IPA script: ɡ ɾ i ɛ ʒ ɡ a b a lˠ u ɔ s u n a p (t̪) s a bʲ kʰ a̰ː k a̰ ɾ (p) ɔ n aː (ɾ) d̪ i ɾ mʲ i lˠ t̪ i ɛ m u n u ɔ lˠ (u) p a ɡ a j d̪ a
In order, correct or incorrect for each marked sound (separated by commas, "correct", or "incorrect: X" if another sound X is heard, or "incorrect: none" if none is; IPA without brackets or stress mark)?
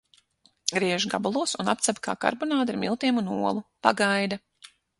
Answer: correct, incorrect: b, incorrect: none, correct